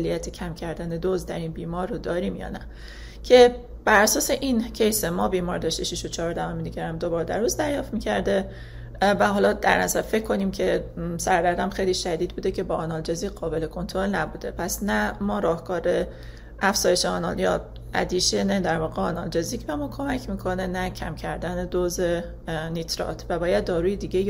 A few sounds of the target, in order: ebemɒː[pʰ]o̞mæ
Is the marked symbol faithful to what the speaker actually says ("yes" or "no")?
no